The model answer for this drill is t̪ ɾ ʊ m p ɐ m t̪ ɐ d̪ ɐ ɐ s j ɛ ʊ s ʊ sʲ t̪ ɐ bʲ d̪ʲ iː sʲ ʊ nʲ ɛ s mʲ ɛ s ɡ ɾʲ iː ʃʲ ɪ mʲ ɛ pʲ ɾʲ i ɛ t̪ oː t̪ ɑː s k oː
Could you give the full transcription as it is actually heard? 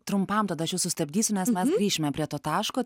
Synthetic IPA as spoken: t̪ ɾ ʊ m p ɐ m t̪ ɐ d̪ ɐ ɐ ʃ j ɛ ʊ s ʊ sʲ t̪ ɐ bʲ d̪ʲ iː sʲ ʊ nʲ ɛ s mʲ ɛ s ɡ ɾʲ iː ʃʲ ɪ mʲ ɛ pʲ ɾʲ i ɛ t̪ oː t̪ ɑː ʃ k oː